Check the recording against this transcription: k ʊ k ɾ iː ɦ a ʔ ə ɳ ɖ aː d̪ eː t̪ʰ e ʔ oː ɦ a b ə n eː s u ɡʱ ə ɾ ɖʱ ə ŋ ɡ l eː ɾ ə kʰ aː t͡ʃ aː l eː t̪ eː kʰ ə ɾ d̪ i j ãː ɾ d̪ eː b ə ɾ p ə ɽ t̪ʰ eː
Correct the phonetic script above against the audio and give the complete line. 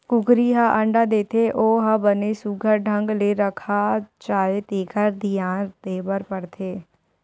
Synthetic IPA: k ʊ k ɾ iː ɦ a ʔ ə ɳ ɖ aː d̪ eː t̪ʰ e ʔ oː ɦ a b ə n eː s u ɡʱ ə ɾ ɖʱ ə ŋ ɡ l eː ɾ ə kʰ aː t͡ʃ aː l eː t̪ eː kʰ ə ɾ d̪ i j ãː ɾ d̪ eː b ə ɾ p ə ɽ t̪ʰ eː